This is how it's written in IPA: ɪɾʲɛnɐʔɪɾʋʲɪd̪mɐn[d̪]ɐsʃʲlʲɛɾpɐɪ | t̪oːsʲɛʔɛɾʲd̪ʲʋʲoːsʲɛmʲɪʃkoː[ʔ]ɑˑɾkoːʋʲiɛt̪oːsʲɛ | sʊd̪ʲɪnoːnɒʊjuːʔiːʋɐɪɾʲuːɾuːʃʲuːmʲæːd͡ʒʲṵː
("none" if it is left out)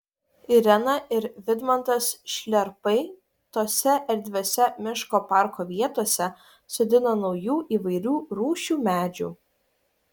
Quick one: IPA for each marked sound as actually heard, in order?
t̪, p

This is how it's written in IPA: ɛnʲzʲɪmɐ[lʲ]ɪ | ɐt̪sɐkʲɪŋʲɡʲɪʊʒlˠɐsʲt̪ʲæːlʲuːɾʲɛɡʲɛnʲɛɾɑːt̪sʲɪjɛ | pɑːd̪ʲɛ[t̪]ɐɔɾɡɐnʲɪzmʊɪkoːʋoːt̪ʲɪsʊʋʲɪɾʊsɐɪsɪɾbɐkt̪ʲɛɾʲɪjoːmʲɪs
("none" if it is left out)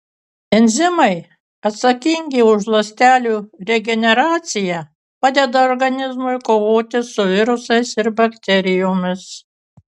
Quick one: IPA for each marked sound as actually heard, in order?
none, d̪

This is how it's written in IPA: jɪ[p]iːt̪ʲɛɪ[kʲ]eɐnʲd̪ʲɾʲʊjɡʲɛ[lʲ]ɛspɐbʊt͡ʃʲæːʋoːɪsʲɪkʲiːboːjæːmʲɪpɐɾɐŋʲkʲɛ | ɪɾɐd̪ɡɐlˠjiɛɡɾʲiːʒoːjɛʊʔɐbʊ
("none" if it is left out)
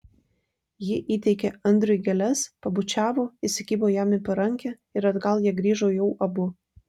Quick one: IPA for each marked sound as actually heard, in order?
ʔ, kʲ, lʲ

